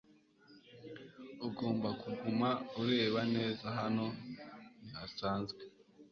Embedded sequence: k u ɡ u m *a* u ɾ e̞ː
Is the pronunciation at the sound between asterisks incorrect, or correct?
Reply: correct